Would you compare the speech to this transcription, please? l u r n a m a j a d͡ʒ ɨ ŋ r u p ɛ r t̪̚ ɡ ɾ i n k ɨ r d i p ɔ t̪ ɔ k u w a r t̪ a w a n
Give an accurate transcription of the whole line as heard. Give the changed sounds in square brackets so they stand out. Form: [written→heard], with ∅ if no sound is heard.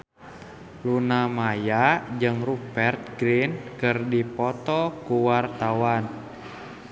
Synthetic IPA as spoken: l u [r→∅] n a m a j a d͡ʒ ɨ ŋ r u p ɛ r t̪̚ ɡ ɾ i n k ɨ r d i p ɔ t̪ ɔ k u w a r t̪ a w a n

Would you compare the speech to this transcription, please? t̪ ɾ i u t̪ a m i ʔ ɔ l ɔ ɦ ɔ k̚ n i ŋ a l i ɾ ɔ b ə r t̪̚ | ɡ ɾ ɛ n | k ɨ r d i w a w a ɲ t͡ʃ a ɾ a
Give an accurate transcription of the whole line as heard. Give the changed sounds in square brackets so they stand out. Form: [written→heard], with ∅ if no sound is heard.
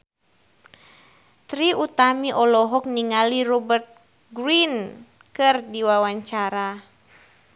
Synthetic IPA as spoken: t̪ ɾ i u t̪ a m i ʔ ɔ l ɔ ɦ ɔ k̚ n i ŋ a l i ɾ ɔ b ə r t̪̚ | ɡ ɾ [ɛ→i] n | k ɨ r d i w a w a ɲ t͡ʃ a ɾ a

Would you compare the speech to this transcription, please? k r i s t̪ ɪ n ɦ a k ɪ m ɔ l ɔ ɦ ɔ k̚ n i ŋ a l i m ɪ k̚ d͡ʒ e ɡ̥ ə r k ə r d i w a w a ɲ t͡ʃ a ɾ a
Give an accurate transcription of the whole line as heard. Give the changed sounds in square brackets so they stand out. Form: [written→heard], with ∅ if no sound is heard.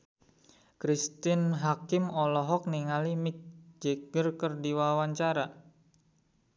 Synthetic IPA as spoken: k [r→ɾ] i s t̪ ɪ n ɦ a k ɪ m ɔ l ɔ ɦ ɔ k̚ n i ŋ a l i m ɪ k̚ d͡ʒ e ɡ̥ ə r k ə r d i w a w a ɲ t͡ʃ a ɾ a

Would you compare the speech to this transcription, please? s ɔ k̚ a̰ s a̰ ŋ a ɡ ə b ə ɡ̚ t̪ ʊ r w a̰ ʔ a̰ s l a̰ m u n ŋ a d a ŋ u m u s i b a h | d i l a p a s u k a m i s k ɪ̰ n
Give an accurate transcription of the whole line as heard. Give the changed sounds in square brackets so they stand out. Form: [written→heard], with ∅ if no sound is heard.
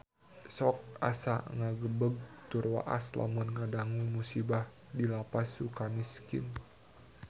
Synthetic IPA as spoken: s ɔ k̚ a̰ s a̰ ŋ a ɡ ə b ə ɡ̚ t̪ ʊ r w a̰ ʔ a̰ s l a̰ m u n ŋ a d a ŋ u m u s i b a h | d i l a p a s u k a m i s k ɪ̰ n

